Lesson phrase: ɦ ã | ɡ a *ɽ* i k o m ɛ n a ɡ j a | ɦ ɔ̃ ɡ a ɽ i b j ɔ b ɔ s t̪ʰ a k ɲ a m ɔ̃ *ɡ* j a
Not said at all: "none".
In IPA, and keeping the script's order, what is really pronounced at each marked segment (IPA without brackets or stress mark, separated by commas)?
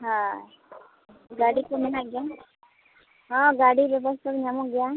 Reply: ɽ, ɡ